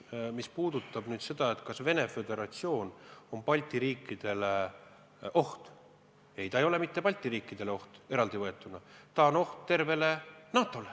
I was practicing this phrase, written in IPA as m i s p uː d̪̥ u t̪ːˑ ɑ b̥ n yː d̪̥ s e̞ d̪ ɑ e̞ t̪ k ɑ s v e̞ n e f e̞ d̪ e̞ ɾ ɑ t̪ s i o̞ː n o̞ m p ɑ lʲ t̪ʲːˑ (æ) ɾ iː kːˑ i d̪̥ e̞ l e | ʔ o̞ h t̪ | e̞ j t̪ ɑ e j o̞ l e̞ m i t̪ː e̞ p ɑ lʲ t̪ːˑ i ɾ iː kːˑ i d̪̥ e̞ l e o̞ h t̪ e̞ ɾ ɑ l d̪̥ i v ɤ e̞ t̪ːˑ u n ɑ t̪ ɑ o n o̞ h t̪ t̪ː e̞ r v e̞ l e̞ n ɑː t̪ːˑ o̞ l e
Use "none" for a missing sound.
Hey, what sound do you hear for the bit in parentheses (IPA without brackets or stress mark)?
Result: i